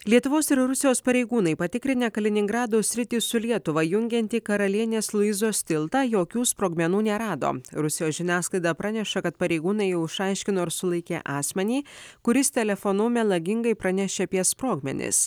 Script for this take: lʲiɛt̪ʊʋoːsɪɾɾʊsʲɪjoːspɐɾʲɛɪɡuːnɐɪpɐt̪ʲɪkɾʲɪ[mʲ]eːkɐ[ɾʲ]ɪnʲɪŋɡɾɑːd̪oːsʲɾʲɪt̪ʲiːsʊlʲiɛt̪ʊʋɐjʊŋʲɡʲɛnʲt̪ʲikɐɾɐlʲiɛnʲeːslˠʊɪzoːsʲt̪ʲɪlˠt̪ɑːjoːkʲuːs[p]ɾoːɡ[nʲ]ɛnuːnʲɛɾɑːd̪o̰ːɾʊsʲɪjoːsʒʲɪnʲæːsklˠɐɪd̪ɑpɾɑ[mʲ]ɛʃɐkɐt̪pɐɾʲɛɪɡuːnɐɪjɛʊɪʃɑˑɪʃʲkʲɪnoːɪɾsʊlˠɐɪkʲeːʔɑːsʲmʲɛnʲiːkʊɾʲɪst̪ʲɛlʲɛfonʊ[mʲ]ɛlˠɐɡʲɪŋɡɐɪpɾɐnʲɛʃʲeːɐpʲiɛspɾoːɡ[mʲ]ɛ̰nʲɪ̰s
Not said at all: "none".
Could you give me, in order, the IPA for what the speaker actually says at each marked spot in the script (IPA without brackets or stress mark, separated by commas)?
nʲ, lʲ, p, mʲ, nʲ, mʲ, mʲ